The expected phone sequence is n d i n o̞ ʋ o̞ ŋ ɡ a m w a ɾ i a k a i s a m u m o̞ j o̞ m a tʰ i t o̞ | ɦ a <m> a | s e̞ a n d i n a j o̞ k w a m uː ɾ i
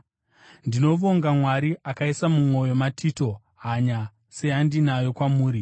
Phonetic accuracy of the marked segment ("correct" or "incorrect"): incorrect